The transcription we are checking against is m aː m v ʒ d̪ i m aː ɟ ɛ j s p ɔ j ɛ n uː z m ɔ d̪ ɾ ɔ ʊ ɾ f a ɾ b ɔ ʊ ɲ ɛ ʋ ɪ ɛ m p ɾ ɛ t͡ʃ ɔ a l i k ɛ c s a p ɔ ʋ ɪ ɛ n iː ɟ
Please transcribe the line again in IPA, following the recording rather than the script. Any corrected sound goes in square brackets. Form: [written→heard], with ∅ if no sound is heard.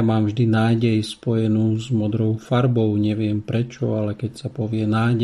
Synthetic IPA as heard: m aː m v ʒ d̪ i [m→n] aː ɟ ɛ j s p ɔ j ɛ n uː z m ɔ d̪ ɾ ɔ ʊ [ɾ→∅] f a ɾ b ɔ ʊ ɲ ɛ ʋ ɪ ɛ m p ɾ ɛ t͡ʃ ɔ a l [i→ɛ] k ɛ c s a p ɔ ʋ ɪ ɛ n [iː→aː] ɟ